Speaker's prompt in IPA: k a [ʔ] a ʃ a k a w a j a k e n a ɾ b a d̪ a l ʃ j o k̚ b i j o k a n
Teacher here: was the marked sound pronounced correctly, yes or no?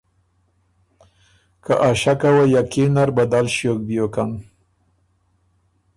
yes